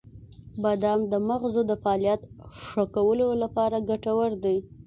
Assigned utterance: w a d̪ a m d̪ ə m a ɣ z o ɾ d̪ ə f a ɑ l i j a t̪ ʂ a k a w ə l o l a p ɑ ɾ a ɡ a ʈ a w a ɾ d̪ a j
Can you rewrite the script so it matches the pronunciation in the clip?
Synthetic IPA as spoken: b a d̪ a m d̪ ə m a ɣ z o d̪ ə f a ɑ l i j a t̪ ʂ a k a w ə l o l a p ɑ ɾ a ɡ a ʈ a w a ɾ d̪ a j

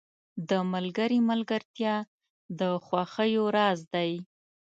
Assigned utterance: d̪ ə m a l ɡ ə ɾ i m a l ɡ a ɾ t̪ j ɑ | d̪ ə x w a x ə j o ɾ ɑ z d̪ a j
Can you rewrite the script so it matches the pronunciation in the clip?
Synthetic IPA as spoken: d̪ ə m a l ɡ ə ɾ i m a l ɡ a ɾ t̪ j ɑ | d̪ ə x w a x ə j o ɾ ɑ z d̪ a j

